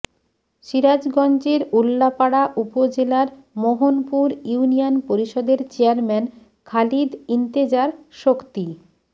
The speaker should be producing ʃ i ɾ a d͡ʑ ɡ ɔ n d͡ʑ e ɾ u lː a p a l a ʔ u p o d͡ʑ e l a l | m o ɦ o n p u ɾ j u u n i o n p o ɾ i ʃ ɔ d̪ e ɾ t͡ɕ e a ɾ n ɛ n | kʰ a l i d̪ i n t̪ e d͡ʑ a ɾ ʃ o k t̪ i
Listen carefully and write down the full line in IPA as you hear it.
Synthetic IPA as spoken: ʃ i ɾ a d͡ʑ ɡ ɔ n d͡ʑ e ɾ u lː a p a ɽ a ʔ u p o d͡ʑ e l a ɾ | m o ɦ o n p u ɾ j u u n i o n p o ɾ i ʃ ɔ d̪ e ɾ t͡ɕ e a ɾ m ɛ n | kʰ a l i d̪ i n t̪ e d͡ʑ a ɾ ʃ o k t̪ i